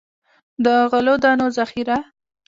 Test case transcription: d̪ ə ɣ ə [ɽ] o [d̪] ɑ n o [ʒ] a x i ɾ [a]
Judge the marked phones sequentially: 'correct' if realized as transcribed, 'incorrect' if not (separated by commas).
incorrect, correct, incorrect, correct